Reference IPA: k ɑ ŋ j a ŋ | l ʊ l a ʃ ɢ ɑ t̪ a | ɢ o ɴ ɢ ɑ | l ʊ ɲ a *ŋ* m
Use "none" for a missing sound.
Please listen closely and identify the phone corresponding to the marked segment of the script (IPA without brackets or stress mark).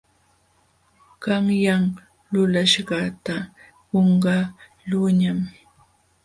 none